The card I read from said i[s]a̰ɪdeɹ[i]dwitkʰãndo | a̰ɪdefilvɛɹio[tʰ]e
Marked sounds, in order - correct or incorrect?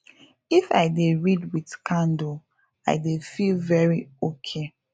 incorrect, correct, incorrect

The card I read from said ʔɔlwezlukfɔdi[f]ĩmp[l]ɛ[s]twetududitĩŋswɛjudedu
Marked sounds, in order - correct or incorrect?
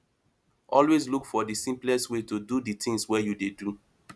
incorrect, correct, correct

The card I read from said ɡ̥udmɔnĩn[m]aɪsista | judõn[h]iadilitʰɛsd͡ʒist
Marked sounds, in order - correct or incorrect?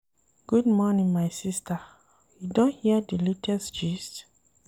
correct, correct

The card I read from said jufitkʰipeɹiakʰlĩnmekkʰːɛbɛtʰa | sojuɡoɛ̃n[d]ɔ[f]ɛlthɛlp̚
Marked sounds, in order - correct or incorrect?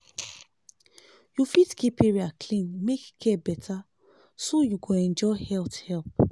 incorrect, incorrect

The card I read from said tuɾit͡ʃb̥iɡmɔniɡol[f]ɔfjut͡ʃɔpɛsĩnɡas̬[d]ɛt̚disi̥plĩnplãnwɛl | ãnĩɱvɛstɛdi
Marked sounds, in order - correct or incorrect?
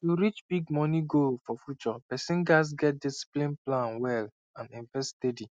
correct, incorrect

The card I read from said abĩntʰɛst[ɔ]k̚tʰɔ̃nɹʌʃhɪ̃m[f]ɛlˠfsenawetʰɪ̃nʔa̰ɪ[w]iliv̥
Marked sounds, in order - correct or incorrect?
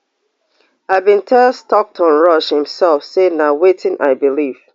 correct, incorrect, incorrect

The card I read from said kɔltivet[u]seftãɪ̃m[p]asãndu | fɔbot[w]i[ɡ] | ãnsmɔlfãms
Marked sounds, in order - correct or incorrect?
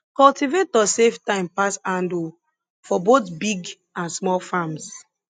incorrect, correct, incorrect, correct

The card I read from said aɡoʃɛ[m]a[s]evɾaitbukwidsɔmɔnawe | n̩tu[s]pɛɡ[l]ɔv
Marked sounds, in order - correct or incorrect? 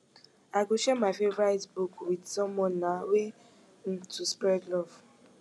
correct, incorrect, correct, correct

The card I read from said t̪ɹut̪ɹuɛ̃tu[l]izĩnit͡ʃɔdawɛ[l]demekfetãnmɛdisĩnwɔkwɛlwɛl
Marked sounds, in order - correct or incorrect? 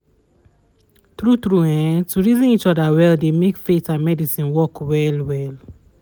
incorrect, correct

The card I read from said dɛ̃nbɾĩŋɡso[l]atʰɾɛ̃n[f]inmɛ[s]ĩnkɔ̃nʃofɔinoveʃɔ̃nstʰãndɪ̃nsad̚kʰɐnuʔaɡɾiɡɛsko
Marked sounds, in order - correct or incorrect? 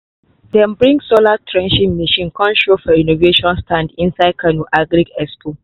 correct, incorrect, incorrect

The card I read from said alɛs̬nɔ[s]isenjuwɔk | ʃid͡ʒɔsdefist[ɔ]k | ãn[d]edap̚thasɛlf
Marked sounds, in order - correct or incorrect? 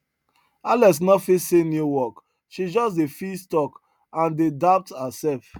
incorrect, correct, correct

